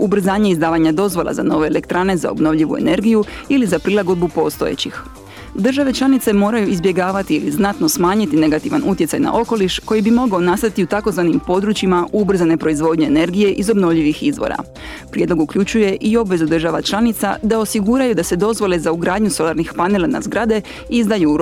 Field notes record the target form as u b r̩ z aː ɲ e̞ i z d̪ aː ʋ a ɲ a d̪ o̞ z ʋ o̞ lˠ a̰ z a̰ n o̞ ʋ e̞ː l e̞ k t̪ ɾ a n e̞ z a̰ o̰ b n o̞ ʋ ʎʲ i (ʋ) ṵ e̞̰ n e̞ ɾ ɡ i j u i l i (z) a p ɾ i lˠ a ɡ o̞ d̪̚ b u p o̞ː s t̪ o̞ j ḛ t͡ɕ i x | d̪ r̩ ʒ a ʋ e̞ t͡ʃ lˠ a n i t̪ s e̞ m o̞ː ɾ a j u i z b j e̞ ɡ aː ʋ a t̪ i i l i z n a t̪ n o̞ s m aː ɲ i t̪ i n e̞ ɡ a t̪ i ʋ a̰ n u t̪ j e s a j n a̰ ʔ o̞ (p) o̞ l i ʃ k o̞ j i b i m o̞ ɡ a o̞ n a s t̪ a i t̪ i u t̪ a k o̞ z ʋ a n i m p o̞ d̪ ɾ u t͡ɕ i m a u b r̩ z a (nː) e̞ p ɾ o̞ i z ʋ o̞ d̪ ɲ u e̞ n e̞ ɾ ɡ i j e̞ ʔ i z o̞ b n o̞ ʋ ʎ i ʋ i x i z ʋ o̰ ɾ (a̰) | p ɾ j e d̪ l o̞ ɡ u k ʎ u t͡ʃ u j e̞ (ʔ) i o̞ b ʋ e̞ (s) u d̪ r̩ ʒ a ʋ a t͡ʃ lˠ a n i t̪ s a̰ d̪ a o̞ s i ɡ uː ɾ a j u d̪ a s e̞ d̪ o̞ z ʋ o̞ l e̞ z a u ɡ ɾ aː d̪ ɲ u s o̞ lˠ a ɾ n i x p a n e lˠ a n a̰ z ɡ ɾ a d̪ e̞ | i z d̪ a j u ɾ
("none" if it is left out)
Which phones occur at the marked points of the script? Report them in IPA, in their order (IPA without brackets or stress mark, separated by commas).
ʋ, z, k, n, a̰, ʔ, z